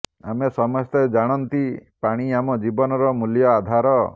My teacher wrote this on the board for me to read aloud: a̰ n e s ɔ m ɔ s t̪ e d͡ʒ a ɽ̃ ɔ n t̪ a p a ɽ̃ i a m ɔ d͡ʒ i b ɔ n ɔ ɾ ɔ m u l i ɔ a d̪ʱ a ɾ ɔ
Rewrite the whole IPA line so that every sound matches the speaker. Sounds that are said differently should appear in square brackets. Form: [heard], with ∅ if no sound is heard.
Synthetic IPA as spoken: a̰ [m] e s ɔ m ɔ s t̪ e d͡ʒ a ɽ̃ ɔ n t̪ [i] p a ɽ̃ i a m ɔ d͡ʒ i b ɔ n ɔ ɾ ɔ m u l [j] ɔ a d̪ʱ a ɾ ɔ